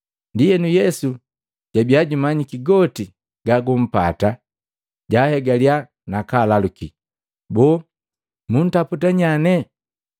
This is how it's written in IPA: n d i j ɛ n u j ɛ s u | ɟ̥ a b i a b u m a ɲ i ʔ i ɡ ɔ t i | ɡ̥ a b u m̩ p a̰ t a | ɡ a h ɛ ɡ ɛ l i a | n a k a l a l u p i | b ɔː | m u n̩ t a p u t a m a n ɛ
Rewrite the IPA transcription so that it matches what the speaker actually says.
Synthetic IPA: n d i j ɛ n u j ɛ s u | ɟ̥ a b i a ɟ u m a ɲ i k i ɡ ɔ t i | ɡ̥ a ɡ u m̩ p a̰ t a | ɟ a h ɛ ɡ a l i a | n a k a l a l u k i | b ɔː | m u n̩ t a p u t a ɲ a n ɛ